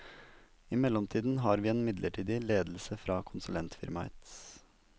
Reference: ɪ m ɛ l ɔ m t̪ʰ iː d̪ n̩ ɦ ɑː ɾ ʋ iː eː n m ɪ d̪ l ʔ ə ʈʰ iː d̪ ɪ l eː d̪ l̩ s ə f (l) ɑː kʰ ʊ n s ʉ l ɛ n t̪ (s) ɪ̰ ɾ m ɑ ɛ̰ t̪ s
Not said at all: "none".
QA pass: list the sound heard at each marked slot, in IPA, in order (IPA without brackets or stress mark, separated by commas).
ɾ, f